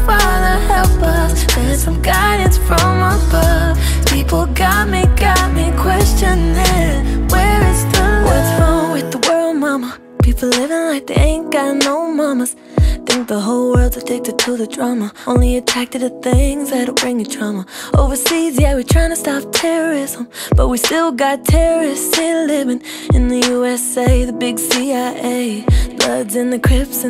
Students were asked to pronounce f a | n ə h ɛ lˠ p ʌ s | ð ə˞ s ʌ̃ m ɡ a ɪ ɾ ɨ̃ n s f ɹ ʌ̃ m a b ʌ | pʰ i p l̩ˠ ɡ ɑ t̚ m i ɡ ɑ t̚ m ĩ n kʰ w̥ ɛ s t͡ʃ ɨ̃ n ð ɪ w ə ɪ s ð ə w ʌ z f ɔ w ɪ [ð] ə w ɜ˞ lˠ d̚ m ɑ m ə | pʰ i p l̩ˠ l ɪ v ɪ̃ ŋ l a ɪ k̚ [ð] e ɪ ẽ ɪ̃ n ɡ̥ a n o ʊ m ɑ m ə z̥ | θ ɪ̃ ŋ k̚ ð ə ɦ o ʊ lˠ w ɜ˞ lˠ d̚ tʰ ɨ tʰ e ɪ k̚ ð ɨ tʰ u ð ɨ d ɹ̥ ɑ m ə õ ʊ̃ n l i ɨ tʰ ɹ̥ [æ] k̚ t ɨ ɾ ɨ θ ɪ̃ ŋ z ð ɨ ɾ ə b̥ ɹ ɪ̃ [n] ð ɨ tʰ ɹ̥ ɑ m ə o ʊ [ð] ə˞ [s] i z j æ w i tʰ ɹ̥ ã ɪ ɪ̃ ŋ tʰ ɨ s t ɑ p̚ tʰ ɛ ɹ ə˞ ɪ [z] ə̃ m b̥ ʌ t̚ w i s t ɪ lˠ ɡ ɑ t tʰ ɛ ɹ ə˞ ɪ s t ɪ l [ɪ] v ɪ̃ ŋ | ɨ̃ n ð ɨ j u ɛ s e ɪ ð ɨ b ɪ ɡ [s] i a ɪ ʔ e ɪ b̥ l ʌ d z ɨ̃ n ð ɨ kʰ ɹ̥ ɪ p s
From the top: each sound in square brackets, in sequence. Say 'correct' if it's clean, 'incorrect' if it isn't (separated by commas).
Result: correct, correct, correct, incorrect, incorrect, correct, correct, correct, correct